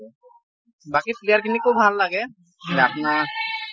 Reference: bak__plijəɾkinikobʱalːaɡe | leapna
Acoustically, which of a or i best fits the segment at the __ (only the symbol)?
i